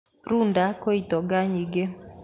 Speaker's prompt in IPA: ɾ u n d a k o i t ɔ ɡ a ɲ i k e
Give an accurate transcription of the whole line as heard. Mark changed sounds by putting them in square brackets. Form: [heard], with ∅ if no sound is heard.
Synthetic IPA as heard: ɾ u n d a k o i t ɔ ɡ a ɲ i [ɡ] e